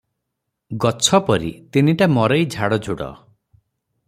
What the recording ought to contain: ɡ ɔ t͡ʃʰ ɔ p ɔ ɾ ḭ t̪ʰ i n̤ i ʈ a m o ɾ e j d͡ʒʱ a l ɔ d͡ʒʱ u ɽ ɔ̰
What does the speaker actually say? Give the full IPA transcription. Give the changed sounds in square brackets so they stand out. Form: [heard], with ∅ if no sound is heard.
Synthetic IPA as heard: ɡ ɔ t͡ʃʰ ɔ p ɔ ɾ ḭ [t̪] i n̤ i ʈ a m [ɔ] ɾ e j d͡ʒʱ a [ɽ] ɔ d͡ʒʱ u ɽ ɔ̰